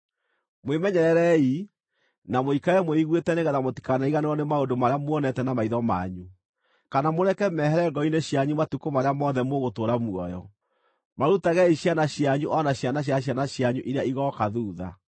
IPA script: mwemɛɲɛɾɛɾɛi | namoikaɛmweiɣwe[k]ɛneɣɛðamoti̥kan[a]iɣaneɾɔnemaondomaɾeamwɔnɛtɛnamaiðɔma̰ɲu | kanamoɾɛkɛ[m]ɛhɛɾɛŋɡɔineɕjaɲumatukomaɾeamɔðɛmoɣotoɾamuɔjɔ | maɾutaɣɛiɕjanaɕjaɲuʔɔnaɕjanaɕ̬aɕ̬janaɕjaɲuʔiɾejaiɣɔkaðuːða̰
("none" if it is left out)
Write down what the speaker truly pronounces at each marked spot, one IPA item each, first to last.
t, a, m

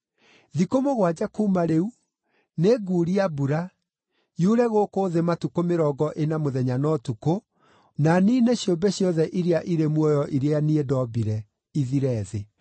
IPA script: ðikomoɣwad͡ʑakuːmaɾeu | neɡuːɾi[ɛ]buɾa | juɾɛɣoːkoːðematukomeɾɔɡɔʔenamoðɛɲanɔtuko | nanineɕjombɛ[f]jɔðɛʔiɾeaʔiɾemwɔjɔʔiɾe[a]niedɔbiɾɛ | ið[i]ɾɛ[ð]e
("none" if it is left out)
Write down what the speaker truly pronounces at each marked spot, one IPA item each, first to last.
a, ɕ, a, i, ð

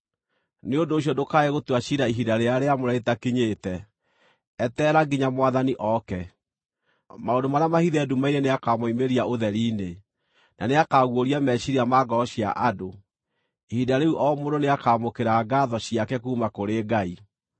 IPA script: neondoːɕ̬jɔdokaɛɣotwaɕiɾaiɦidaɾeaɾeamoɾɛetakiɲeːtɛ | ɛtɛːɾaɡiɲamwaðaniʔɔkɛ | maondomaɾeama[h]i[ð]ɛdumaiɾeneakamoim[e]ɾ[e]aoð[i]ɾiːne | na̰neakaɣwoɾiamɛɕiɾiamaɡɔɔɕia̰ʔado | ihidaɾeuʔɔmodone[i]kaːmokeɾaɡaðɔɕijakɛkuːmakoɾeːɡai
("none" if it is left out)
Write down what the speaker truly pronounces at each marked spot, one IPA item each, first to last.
h, ð, e, i, ɛ, a

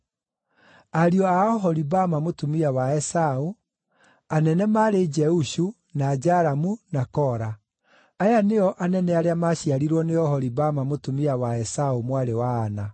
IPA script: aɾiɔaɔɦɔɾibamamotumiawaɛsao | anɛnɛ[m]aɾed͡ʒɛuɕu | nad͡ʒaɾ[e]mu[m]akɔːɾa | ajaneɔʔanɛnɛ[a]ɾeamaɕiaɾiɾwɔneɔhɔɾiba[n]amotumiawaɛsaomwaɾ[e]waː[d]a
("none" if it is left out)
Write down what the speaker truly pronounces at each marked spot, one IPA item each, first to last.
m, a, n, a, m, e, n

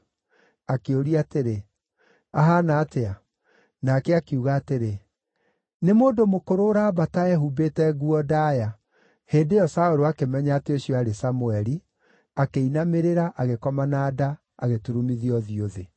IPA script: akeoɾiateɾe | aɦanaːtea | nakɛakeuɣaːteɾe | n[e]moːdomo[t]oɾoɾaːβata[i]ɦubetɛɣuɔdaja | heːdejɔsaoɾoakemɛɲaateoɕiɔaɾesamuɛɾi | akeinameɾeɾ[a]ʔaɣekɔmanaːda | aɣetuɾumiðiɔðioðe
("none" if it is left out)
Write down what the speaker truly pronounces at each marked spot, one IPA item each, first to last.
e, k, ɛ, a

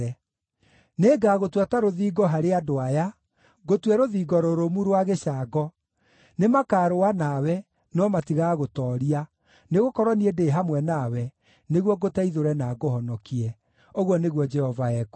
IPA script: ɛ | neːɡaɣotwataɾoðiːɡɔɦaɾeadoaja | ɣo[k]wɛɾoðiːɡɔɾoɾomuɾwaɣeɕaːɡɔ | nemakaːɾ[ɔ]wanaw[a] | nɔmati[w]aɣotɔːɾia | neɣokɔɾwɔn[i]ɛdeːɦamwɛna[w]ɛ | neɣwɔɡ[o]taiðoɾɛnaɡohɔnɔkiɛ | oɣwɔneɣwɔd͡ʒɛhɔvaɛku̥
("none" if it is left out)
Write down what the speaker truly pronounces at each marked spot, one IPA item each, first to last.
t, o, ɛ, ɣ, i, w, o

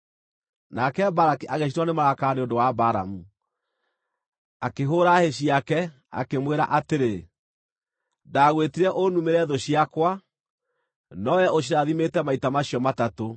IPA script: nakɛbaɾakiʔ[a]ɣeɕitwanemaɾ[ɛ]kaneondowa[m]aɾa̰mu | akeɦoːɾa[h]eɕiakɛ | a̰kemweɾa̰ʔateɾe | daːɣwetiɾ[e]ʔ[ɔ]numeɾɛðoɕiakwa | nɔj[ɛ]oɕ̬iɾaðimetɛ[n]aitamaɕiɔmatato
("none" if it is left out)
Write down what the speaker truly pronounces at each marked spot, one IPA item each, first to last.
a, a, b, h, ɛ, o, ɛ, m

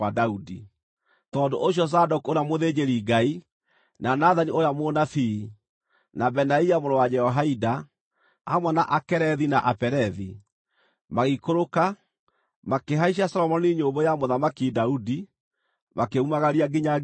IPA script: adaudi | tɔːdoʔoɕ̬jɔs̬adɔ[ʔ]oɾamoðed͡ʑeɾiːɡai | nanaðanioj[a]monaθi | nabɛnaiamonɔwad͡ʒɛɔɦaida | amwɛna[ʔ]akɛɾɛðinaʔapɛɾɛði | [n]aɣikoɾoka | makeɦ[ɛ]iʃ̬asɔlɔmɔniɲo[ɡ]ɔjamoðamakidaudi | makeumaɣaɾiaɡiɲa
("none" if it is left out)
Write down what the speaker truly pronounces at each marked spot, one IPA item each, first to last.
k, a, ʔ, m, a, b

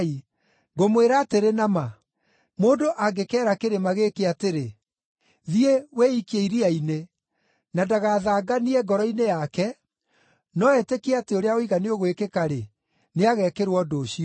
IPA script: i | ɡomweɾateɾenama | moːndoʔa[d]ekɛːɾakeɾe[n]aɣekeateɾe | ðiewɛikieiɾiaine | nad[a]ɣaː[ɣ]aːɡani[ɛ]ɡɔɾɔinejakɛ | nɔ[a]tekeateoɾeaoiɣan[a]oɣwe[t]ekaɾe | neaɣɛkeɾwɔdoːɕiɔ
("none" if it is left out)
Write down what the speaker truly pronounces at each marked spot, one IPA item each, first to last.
ɡ, m, a, ð, ɛ, ɛ, e, k

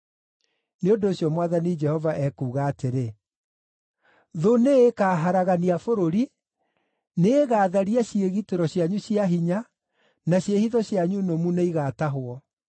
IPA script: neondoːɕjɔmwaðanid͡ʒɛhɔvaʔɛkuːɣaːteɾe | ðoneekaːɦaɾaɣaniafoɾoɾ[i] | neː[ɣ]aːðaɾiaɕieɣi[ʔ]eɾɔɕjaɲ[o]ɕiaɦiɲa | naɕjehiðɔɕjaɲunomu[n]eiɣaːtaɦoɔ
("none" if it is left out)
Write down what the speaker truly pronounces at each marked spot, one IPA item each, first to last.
i, ɣ, t, u, n

